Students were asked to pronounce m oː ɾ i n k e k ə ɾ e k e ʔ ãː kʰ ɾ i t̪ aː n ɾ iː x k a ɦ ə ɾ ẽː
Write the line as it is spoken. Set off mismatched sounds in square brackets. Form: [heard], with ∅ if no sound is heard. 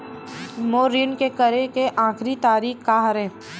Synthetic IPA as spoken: m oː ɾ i n k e k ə ɾ e k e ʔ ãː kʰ ɾ i t̪ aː [∅] ɾ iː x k a ɦ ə ɾ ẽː

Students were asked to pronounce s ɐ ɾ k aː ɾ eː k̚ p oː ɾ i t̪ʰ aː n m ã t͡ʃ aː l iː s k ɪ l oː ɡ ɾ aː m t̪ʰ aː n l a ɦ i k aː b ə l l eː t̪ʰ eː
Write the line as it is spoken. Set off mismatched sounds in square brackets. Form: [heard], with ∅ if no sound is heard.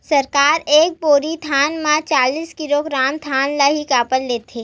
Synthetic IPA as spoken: s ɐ ɾ k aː ɾ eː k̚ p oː ɾ i t̪ʰ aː n m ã t͡ʃ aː l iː s k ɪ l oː ɡ ɾ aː m t̪ʰ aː n l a ɦ i k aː [p] ə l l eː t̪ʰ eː

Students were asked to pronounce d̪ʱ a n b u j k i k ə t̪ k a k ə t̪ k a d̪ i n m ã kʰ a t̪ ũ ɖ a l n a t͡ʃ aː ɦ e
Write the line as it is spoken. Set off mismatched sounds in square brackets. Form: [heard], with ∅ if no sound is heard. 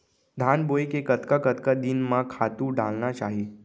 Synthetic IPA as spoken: d̪ʱ a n b [o] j k [e] k ə t̪ k a k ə t̪ k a d̪ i n m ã kʰ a t̪ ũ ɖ a l n a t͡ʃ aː ɦ e

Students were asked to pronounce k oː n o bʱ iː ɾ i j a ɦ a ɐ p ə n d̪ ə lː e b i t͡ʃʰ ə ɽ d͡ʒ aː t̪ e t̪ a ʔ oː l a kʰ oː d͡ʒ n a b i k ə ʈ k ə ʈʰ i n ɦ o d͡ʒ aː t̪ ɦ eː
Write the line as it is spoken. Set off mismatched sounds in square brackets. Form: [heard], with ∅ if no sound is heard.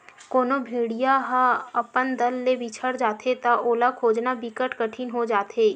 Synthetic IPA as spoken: k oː n o bʱ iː [ɽ] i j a ɦ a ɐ p ə n d̪ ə lː e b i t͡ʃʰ ə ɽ d͡ʒ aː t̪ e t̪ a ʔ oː l a kʰ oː d͡ʒ n a b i k ə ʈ k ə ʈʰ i n ɦ o d͡ʒ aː t̪ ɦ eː

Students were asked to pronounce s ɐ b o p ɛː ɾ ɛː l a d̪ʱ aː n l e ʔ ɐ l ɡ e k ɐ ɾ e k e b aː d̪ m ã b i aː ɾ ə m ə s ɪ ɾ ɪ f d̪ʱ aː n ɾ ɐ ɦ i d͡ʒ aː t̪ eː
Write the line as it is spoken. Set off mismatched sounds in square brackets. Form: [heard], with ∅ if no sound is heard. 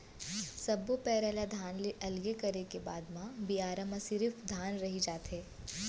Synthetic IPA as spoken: s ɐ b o p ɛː ɾ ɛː l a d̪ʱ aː n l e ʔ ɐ l ɡ e k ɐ ɾ e k e b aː d̪ m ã b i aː ɾ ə m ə s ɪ ɾ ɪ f d̪ʱ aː n ɾ ɐ ɦ i d͡ʒ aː t̪ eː

